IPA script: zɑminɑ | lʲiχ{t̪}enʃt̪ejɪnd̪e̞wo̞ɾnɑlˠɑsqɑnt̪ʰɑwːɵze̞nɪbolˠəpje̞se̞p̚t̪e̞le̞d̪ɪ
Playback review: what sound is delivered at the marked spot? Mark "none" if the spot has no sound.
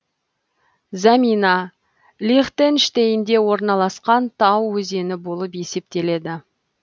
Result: t̪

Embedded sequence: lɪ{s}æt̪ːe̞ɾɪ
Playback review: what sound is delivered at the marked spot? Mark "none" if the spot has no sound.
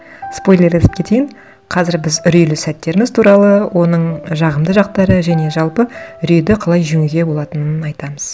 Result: s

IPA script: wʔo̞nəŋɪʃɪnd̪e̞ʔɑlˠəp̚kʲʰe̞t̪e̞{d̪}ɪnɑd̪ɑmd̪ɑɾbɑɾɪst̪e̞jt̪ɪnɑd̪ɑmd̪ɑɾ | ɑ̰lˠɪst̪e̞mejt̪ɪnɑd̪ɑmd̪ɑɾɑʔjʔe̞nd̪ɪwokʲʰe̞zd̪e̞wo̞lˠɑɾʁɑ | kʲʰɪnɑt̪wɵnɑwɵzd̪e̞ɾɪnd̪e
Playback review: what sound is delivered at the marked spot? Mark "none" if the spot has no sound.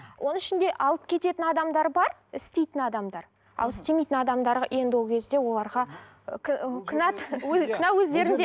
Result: t̪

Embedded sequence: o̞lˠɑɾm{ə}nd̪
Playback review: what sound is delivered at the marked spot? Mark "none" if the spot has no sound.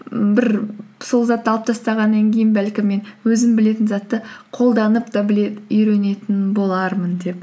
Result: ə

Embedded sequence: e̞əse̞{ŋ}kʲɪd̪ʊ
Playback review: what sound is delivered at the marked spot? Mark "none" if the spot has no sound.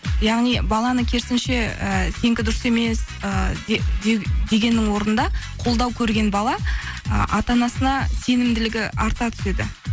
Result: ŋ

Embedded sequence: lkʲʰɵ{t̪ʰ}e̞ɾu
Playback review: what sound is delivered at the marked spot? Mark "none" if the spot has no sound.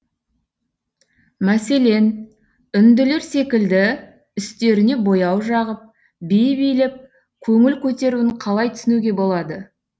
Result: t̪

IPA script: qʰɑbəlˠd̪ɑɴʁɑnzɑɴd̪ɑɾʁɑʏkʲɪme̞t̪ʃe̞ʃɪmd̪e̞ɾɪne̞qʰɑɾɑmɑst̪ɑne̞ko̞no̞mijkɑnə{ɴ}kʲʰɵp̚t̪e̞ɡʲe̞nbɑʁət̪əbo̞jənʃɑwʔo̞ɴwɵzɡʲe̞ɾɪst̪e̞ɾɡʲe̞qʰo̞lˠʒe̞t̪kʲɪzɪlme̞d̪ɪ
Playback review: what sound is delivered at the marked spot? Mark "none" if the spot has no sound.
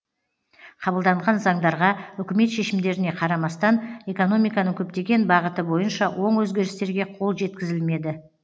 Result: ŋ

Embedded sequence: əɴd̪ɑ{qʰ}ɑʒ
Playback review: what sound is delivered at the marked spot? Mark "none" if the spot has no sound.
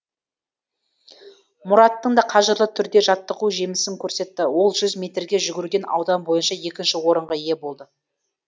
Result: qʰ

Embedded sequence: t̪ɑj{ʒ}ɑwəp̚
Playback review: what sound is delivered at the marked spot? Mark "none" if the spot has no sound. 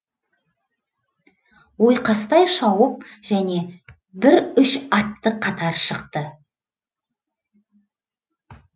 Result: ʃ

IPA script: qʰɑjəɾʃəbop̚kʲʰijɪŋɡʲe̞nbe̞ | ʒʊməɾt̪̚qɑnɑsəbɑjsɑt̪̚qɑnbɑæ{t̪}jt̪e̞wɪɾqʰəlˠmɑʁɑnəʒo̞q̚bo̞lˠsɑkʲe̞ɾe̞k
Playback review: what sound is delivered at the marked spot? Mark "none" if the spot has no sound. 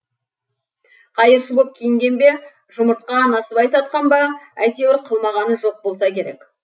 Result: none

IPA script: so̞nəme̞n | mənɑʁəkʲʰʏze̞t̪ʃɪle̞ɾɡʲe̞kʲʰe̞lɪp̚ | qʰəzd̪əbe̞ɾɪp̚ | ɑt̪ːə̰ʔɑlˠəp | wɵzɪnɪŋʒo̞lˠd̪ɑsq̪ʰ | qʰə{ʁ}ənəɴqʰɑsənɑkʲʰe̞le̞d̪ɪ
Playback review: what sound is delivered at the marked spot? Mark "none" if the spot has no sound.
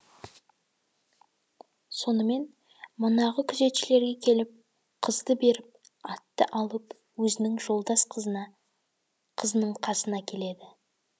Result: z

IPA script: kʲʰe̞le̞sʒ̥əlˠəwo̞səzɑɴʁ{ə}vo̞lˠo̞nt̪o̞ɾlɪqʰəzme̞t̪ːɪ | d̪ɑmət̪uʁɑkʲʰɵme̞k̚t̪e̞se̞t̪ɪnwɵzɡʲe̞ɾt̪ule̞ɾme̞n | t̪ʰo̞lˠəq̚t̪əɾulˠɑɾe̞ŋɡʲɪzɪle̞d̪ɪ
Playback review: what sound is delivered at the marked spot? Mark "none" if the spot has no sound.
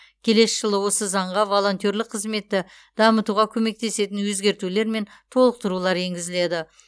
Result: ɑ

